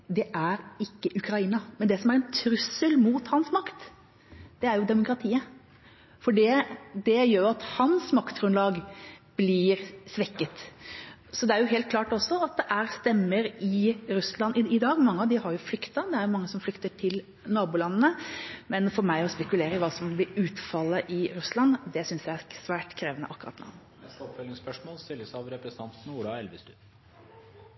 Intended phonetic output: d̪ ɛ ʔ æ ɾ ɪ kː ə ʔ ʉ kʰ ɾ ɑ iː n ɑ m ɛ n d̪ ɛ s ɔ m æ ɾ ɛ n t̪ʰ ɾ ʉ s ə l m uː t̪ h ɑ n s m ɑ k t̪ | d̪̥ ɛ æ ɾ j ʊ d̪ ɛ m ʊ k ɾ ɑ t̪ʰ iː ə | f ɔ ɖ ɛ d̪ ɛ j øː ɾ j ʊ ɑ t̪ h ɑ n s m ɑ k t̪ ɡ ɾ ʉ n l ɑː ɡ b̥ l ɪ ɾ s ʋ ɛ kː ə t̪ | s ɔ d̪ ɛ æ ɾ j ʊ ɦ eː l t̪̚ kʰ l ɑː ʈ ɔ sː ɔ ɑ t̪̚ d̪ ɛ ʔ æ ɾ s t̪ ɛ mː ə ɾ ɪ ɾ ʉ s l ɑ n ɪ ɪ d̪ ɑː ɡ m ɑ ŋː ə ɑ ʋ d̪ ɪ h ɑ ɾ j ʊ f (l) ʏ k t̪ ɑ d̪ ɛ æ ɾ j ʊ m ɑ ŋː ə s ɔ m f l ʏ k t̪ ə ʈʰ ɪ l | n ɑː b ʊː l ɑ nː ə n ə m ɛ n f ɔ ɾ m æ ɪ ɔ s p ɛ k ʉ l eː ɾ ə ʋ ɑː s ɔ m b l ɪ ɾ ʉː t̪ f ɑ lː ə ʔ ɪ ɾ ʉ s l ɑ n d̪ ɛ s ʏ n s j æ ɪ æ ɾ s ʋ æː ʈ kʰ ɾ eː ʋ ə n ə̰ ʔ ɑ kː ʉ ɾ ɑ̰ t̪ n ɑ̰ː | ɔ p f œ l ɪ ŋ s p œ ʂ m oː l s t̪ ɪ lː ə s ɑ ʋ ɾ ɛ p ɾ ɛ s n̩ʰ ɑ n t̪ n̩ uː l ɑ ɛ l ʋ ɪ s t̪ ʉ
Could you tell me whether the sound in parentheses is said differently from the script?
no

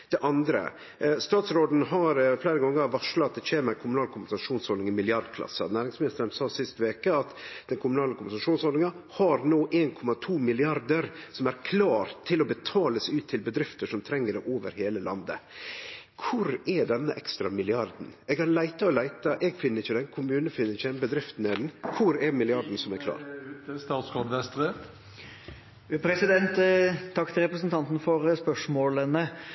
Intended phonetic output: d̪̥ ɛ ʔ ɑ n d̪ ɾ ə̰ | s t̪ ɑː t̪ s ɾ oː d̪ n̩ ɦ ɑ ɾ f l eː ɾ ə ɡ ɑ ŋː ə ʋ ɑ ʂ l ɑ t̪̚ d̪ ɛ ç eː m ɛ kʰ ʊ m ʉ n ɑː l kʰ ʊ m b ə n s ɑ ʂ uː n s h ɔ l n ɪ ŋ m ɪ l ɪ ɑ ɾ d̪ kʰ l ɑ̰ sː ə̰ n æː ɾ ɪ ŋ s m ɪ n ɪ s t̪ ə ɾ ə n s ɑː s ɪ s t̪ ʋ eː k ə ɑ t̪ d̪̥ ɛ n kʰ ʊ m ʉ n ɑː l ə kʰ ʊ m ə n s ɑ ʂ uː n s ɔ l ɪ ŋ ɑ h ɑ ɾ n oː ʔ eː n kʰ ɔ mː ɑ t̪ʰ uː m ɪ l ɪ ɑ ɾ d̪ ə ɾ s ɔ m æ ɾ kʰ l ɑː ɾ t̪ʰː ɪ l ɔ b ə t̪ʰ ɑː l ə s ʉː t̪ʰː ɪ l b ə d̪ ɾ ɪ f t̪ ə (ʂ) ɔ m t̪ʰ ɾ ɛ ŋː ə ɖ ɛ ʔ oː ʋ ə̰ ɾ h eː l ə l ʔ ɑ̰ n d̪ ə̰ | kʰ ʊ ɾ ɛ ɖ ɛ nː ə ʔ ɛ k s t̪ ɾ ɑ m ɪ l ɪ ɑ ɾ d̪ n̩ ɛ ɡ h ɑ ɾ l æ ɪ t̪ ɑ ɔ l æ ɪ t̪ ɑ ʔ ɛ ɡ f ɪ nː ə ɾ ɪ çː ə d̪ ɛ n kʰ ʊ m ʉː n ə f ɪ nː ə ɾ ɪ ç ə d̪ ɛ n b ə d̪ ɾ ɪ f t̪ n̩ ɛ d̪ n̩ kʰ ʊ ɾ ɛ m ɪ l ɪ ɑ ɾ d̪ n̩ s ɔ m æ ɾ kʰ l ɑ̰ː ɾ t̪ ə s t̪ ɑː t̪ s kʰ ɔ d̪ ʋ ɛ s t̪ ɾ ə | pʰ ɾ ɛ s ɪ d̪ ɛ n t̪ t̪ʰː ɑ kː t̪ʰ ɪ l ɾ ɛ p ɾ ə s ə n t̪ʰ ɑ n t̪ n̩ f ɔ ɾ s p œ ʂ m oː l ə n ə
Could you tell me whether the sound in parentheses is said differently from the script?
no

